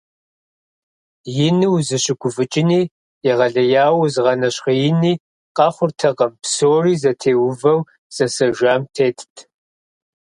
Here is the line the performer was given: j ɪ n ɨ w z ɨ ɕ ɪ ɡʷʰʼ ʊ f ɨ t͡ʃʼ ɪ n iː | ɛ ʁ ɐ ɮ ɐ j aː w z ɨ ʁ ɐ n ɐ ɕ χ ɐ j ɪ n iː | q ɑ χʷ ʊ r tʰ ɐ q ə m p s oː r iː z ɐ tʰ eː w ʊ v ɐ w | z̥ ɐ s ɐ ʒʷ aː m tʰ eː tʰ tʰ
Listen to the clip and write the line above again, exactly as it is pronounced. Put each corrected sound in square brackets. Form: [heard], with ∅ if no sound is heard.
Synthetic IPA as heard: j ɪ n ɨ w z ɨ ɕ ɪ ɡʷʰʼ ʊ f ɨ t͡ʃʼ ɪ n iː | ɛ ʁ ɐ ɮ ɐ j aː w z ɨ ʁ ɐ n ɐ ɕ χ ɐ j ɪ n iː | q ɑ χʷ ʊ r tʰ ɐ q [ɐ] m p s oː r iː z ɐ tʰ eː w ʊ v ɐ w | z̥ ɐ s ɐ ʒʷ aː m tʰ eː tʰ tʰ